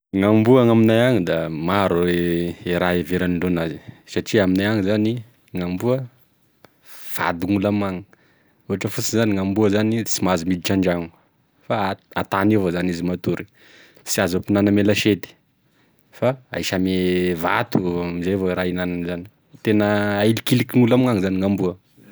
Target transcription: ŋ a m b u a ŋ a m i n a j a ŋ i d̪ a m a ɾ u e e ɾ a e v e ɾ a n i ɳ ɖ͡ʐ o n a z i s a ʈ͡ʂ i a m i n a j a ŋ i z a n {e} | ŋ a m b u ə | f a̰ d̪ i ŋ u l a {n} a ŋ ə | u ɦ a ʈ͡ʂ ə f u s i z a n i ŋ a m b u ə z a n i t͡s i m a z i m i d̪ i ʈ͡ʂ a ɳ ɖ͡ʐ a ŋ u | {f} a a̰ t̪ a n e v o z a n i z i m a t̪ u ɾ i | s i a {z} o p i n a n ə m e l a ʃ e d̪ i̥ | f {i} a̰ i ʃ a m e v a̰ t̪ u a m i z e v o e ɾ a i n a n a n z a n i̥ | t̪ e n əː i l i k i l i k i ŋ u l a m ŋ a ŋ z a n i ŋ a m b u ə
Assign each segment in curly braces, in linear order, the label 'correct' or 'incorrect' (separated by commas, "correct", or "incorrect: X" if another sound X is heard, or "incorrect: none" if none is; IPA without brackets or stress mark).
incorrect: i, incorrect: m, correct, correct, incorrect: a